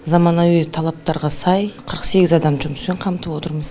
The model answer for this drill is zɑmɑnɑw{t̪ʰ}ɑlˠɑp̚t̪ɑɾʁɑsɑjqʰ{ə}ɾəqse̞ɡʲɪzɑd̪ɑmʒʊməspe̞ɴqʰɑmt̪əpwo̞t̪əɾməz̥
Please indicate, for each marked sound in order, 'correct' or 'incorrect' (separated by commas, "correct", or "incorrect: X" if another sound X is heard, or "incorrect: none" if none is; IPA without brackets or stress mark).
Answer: correct, correct